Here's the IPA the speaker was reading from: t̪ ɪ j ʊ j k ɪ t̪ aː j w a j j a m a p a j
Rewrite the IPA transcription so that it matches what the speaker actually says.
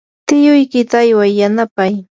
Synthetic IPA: t̪ ɪ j ʊ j k ɪ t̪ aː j w a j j a n a p a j